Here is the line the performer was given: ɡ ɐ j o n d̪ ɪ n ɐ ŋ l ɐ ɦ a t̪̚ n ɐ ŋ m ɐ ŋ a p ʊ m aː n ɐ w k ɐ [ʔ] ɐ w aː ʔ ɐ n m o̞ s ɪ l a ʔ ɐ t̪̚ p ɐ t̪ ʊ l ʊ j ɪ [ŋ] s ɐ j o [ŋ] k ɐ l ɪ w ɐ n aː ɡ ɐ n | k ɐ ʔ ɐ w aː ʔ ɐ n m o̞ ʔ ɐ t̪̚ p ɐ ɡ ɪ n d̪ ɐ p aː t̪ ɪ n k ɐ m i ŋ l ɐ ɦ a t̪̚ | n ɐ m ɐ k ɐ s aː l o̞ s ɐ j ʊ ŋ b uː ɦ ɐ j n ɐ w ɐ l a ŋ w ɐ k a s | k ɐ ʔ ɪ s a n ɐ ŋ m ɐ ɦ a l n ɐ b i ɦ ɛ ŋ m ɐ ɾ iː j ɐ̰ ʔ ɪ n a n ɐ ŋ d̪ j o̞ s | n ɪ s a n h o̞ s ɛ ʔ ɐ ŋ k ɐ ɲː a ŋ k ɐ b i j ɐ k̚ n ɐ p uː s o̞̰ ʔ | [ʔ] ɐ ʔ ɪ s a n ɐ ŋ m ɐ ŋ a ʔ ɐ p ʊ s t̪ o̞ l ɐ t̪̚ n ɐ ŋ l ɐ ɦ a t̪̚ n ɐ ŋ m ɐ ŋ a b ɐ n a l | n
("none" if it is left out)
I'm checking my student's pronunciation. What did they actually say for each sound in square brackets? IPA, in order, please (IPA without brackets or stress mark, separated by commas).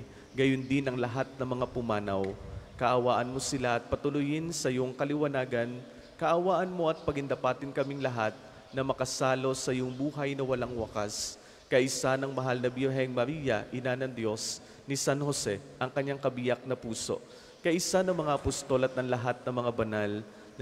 ʔ, n, ŋ, k